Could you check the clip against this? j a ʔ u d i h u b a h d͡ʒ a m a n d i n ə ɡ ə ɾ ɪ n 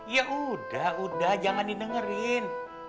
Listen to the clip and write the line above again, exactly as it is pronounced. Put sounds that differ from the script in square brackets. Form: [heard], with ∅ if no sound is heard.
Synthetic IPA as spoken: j a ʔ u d [a] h u [d] a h d͡ʒ a [ŋ] a n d i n ə [ŋ] ə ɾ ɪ n